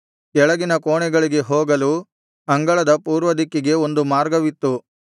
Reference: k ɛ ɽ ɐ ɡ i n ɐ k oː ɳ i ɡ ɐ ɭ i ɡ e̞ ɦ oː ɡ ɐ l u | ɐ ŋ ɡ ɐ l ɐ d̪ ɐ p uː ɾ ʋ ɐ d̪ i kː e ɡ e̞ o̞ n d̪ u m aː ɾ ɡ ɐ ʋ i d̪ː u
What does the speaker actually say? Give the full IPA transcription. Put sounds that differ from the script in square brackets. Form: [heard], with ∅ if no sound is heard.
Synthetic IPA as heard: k ɛ [ɭ] ɐ ɡ i n ɐ k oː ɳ [ɛ] ɡ ɐ ɭ i ɡ e̞ ɦ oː ɡ ɐ l u | ɐ ŋ ɡ ɐ [ɭ] ɐ d̪ ɐ p uː ɾ ʋ ɐ d̪ i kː [i] ɡ e̞ o̞ n d̪ u m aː ɾ ɡ ɐ ʋ i [t̪ː] u